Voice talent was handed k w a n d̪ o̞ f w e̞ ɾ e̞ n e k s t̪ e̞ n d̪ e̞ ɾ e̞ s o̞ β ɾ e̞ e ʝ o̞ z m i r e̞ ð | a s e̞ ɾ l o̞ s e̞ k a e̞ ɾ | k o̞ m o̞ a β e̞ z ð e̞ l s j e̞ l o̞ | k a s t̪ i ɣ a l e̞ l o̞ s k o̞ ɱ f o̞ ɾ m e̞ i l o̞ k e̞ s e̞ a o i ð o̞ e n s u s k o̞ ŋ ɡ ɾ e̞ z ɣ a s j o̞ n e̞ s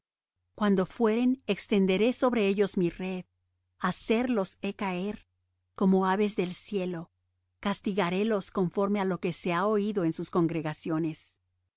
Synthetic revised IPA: k w a n d̪ o̞ f w e̞ ɾ e̞ n e k s t̪ e̞ n d̪ e̞ ɾ e̞ s o̞ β ɾ e̞ e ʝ o̞ z m i r e̞ ð | a s e̞ ɾ l o̞ s e̞ k a e̞ ɾ | k o̞ m o̞ a β e̞ z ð e̞ l s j e̞ l o̞ | k a s t̪ i ɣ a ɾ e̞ l o̞ s k o̞ ɱ f o̞ ɾ m e̞ a l o̞ k e̞ s e̞ a o i ð o̞ e n s u s k o̞ ŋ ɡ ɾ e̞ ɣ a s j o̞ n e̞ s